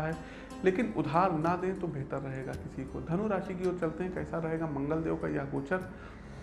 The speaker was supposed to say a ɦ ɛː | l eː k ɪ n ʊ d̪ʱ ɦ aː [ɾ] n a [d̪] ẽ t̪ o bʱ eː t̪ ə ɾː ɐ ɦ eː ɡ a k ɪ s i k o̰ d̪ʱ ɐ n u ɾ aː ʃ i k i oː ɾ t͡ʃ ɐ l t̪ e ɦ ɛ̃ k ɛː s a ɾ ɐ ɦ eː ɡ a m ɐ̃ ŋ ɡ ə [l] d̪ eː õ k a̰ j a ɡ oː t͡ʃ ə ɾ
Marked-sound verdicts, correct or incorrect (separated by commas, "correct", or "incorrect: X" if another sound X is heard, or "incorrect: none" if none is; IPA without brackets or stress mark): correct, correct, correct